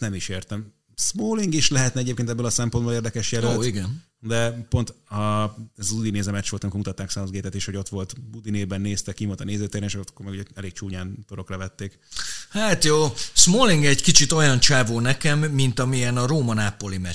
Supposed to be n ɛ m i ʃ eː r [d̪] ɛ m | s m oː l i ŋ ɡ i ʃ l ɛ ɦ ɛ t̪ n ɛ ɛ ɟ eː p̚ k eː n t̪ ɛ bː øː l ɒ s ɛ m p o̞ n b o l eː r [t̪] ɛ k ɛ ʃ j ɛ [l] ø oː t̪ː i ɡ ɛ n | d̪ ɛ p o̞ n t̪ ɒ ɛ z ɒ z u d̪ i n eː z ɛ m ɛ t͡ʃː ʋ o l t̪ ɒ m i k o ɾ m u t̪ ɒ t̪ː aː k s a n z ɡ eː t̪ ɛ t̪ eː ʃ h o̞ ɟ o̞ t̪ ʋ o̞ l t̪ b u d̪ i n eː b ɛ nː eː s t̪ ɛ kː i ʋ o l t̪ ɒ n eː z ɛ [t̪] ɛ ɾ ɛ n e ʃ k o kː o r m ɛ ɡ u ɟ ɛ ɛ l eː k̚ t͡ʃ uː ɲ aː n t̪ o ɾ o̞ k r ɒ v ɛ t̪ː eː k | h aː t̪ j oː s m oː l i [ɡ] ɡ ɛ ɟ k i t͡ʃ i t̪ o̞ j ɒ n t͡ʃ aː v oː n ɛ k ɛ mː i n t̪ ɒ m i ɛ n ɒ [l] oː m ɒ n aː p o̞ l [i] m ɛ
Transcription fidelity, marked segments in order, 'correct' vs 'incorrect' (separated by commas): incorrect, incorrect, correct, correct, incorrect, incorrect, correct